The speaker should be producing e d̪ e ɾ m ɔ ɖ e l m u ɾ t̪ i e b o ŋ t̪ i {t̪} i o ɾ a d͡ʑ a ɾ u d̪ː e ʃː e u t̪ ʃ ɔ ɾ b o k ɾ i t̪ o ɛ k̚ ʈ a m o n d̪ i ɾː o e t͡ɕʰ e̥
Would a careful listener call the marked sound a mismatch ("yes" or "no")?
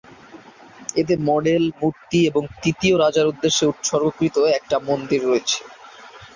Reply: no